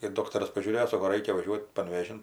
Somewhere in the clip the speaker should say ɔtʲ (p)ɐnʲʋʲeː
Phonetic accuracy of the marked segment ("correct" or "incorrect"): correct